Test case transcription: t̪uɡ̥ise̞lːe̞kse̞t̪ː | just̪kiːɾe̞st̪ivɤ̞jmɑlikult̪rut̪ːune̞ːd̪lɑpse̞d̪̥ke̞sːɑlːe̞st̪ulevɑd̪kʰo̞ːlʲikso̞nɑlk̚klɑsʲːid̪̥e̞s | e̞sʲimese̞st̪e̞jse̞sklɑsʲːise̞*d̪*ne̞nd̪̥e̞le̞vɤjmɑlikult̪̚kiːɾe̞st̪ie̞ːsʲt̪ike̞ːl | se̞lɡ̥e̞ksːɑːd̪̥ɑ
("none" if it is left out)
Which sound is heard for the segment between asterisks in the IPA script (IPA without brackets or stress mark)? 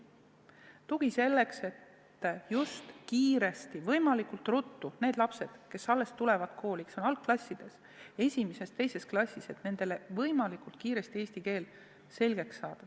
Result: t̪